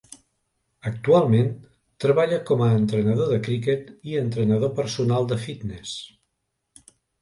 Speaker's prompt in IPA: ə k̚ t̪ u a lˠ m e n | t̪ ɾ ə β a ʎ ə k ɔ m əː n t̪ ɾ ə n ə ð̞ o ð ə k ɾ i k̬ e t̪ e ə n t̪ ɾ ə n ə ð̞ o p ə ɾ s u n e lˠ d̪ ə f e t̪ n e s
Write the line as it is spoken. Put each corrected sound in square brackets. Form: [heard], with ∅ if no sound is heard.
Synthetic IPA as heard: ə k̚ t̪ u a lˠ m e n | t̪ ɾ ə β a ʎ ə k ɔ m əː n t̪ ɾ ə n ə ð̞ o ð ə k ɾ i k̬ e t̪ [i] ə n t̪ ɾ ə n ə ð̞ o p ə ɾ s u n [a] lˠ d̪ ə f [i] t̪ n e s